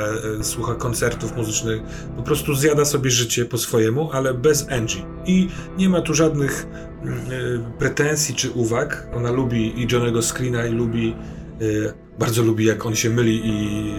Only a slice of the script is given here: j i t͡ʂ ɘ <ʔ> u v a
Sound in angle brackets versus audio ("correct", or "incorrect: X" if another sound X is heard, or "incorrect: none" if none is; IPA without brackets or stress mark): correct